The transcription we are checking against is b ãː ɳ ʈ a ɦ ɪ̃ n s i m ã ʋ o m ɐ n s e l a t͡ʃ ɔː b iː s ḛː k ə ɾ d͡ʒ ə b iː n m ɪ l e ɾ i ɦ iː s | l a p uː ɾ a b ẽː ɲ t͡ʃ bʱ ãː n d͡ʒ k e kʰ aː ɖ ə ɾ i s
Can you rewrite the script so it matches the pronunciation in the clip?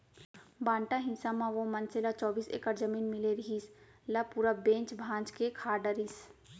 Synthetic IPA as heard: b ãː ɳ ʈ a ɦ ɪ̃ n s a m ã ʋ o m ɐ n s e l a t͡ʃ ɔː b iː s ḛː k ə ɾ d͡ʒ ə m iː n m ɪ l e ɾ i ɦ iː s | l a p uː ɾ a b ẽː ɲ t͡ʃ bʱ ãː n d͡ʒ k e kʰ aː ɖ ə ɾ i s